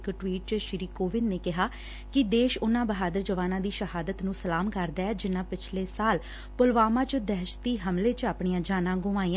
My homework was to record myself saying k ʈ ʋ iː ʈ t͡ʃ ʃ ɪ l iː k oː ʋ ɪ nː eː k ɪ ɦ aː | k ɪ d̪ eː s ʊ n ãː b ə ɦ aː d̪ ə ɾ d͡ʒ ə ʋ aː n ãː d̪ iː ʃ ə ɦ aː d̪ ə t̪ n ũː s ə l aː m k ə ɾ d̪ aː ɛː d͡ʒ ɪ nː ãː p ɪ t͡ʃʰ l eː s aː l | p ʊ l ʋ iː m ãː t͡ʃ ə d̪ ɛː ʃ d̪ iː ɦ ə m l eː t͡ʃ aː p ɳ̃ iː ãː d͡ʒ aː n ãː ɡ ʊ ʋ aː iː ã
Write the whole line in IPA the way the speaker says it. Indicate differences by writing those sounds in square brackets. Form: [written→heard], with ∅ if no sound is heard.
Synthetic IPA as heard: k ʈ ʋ iː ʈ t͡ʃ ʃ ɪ [l→ɾ] iː k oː ʋ ɪ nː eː k ɪ ɦ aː | k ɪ d̪ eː [s→ʃ] ʊ n ãː b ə ɦ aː d̪ ə ɾ d͡ʒ ə ʋ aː n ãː d̪ iː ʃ ə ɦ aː d̪ ə t̪ n ũː s ə l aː m k ə ɾ d̪ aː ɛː d͡ʒ ɪ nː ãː p ɪ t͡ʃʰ l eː s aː l | p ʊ l ʋ [iː→aː] m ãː t͡ʃ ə d̪ ɛː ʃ [d̪→t̪] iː ɦ ə m l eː t͡ʃ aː p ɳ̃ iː ãː d͡ʒ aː n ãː ɡ ʊ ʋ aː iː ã